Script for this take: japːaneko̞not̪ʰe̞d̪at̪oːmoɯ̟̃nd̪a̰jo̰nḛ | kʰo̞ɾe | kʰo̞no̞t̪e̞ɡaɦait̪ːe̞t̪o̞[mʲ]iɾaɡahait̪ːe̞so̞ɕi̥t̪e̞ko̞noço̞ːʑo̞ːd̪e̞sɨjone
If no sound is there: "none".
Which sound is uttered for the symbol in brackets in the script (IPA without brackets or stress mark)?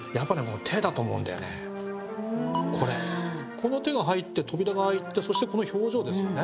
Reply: bʲ